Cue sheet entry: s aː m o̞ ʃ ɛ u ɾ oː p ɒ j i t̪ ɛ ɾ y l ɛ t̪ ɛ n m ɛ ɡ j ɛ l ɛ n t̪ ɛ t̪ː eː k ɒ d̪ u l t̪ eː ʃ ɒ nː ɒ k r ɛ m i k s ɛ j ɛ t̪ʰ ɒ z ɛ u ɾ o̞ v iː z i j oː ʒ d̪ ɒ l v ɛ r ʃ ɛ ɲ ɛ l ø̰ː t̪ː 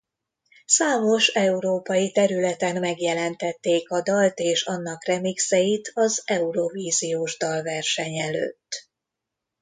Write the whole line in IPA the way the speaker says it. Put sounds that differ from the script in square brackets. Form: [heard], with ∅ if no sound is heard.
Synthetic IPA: s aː m o̞ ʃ ɛ u ɾ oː p ɒ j i t̪ ɛ ɾ y l ɛ t̪ ɛ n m ɛ ɡ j ɛ l ɛ n t̪ ɛ t̪ː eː k ɒ d̪ [ɒ] l t̪ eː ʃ ɒ nː ɒ k r ɛ m i k s ɛ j [i] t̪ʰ ɒ z ɛ u ɾ o̞ v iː z i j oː ʒ d̪ ɒ l v ɛ r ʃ ɛ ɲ ɛ l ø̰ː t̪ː